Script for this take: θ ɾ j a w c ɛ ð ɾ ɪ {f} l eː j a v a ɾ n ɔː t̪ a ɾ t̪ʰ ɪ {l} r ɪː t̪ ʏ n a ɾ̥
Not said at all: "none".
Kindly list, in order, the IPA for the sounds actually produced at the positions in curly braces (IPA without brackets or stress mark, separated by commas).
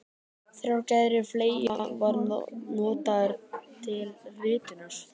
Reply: f, l